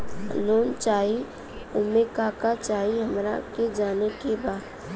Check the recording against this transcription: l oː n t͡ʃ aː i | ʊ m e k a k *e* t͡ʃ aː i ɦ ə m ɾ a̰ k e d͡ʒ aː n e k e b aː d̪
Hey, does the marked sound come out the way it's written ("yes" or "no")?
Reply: no